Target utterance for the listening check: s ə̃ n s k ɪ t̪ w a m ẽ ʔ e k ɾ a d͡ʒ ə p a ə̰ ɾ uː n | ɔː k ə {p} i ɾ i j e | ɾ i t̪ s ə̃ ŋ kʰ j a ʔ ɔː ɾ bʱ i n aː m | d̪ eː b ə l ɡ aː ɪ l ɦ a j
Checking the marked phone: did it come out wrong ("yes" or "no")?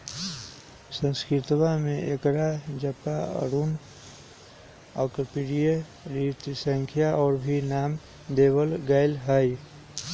no